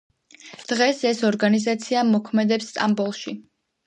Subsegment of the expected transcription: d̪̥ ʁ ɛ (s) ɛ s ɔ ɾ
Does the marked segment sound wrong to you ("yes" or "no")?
no